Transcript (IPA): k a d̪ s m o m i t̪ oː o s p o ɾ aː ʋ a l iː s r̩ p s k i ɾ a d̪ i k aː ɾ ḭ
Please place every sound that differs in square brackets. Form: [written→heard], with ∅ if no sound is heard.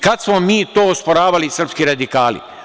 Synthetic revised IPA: k a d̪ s m o m [i→iː] t̪ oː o s p o ɾ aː ʋ a l [iː→i] s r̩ p s k i ɾ a d̪ i k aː [ɾ→l] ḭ